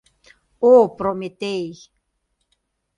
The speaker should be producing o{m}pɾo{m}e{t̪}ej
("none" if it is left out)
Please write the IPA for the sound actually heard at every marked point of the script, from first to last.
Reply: none, m, t̪

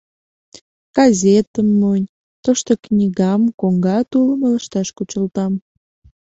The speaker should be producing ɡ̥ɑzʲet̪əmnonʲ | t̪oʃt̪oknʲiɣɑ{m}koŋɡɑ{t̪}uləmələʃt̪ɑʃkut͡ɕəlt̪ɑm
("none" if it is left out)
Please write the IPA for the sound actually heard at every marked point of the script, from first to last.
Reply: m, t̪

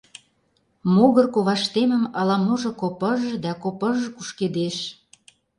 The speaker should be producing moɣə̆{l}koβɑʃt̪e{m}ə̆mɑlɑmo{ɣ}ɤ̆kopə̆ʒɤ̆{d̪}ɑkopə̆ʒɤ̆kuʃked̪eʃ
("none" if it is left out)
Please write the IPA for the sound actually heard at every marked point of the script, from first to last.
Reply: r, m, ʒ, d̪

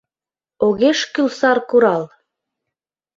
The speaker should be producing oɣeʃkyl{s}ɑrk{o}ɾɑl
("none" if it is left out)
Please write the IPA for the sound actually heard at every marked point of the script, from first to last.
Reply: s, u

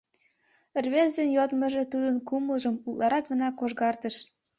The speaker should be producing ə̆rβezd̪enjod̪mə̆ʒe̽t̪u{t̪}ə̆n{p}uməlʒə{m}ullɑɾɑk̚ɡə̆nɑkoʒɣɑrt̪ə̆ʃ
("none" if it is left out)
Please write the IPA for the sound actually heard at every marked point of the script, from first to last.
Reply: d̪, k, m

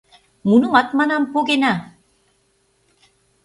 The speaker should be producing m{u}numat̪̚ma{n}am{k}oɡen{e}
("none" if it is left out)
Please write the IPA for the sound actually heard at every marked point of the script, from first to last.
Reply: u, n, p, a

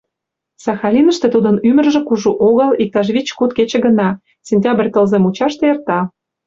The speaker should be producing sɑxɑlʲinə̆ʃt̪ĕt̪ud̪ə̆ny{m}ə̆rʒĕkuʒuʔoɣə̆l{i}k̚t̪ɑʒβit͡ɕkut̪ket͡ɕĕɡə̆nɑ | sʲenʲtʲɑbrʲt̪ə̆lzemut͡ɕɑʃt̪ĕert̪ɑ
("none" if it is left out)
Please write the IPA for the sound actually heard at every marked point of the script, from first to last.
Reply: m, i

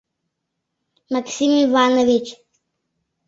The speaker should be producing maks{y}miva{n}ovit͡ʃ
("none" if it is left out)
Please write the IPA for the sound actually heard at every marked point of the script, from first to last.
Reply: i, n

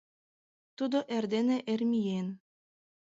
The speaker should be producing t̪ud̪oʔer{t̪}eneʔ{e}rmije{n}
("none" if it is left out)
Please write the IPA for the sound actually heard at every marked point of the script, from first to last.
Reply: d̪, e, n

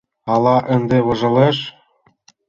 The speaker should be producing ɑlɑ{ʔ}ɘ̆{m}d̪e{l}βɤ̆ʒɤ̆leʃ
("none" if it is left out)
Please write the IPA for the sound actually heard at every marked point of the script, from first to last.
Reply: ʔ, n, none

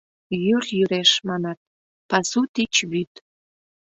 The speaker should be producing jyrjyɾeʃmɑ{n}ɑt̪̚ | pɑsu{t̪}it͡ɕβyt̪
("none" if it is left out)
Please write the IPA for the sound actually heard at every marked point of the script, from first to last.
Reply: n, t̪

